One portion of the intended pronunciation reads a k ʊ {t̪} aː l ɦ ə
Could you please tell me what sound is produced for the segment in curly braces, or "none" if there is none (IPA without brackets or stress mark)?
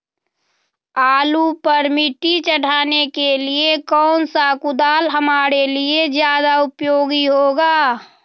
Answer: d̪